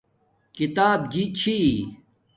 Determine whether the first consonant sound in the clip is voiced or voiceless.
voiceless